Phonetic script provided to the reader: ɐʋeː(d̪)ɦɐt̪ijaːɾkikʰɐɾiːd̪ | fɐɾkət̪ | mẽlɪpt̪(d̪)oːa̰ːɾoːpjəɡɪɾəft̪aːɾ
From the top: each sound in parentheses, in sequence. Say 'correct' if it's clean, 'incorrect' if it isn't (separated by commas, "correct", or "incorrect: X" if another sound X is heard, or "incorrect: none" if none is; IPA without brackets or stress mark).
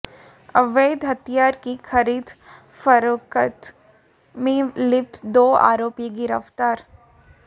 correct, correct